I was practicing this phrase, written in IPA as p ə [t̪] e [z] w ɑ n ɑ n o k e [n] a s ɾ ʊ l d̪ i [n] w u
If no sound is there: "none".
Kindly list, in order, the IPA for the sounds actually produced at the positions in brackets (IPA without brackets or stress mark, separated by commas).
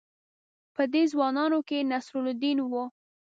d̪, z, n, n